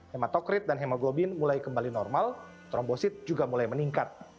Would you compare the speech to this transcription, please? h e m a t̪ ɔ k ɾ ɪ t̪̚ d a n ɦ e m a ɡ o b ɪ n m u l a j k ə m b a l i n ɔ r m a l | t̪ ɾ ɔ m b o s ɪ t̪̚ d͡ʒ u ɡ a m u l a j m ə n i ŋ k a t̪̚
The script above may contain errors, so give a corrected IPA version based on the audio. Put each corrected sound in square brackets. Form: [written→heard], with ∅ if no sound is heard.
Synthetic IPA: h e m a t̪ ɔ k ɾ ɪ t̪̚ d a n ɦ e m a ɡ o b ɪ n m u l a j k ə m b a l i n ɔ r m a l | t̪ ɾ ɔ m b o s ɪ t̪̚ d͡ʒ u ɡ a m u l a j m ə n i ŋ k a t̪̚